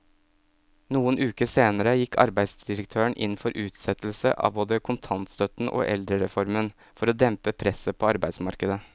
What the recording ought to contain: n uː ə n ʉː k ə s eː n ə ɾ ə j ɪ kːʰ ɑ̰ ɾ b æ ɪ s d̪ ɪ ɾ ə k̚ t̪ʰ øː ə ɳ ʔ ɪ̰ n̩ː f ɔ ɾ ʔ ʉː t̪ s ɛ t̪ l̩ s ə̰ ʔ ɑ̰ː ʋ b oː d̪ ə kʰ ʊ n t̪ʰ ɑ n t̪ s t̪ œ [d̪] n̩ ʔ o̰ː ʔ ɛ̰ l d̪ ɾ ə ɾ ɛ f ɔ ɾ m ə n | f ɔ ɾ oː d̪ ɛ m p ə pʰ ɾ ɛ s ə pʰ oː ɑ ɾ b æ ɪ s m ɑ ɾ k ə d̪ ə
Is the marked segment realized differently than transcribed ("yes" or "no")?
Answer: yes